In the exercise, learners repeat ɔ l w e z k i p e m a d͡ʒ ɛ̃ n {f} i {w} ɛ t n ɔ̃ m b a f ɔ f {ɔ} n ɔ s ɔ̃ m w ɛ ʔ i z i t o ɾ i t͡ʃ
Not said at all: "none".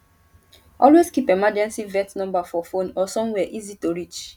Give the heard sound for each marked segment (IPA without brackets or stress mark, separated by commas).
s, v, o